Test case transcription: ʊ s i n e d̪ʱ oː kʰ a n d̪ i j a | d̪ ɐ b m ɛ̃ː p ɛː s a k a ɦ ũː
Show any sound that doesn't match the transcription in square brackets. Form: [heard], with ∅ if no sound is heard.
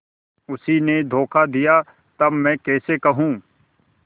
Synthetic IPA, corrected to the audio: ʊ s i n e d̪ʱ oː kʰ a [∅] d̪ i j a | [t̪] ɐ b m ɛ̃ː [k] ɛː s [e] k [ɐ] ɦ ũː